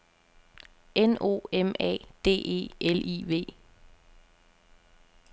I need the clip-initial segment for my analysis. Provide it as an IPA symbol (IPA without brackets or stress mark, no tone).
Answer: e